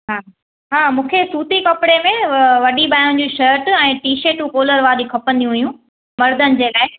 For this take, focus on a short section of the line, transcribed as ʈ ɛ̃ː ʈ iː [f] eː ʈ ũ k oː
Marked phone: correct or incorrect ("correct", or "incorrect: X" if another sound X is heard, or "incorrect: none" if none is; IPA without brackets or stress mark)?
incorrect: ʃ